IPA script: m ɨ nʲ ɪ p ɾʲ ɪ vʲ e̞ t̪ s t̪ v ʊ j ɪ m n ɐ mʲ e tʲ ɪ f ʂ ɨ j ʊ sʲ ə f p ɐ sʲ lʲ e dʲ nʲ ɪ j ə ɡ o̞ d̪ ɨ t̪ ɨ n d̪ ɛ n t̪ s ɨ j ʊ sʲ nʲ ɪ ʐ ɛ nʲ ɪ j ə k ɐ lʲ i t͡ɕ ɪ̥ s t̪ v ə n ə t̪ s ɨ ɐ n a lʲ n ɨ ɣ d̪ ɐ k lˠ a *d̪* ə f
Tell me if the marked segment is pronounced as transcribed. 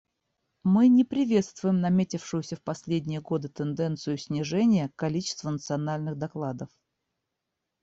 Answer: yes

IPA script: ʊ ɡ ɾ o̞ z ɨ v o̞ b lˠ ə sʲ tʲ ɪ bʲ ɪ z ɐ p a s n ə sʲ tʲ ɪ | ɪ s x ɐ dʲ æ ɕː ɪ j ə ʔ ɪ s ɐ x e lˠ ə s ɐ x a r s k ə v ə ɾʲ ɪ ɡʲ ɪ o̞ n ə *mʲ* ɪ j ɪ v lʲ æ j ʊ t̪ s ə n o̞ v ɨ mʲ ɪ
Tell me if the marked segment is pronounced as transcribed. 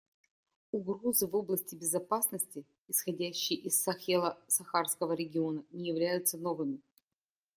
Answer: no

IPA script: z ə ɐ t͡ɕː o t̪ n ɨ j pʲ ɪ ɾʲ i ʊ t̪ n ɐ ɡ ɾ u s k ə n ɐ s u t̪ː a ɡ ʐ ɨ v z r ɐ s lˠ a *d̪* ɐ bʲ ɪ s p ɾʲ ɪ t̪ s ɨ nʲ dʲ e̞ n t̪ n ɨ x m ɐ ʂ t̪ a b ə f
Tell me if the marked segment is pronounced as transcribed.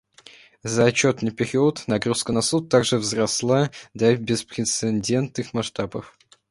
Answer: yes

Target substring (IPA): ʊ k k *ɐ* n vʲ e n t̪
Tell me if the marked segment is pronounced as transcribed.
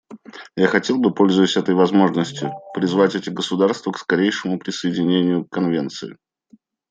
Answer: yes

